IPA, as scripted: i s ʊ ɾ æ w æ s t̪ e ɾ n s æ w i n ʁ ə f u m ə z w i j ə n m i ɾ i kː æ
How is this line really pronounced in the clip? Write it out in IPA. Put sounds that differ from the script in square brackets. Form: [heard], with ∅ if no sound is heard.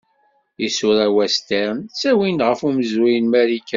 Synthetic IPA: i s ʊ ɾ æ w æ s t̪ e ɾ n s æ w i n ʁ ə f u m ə z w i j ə n m [æ] ɾ i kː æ